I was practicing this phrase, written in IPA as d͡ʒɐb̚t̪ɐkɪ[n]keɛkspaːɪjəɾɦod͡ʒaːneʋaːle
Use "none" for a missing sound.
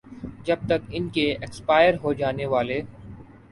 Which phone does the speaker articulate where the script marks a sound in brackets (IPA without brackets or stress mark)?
n